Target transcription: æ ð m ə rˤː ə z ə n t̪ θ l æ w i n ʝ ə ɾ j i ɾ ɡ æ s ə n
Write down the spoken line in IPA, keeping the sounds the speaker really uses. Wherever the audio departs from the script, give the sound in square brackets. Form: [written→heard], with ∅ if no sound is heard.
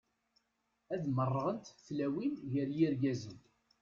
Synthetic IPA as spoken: æ ð m ə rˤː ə [z→ʁ] ə n t̪ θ l æ w i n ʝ ə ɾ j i ɾ ɡ æ [s→z] ə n